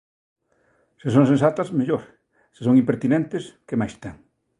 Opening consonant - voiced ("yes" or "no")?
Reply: no